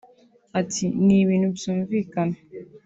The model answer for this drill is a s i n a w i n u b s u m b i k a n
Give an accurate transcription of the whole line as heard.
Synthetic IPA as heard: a t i n i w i n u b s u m v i k a n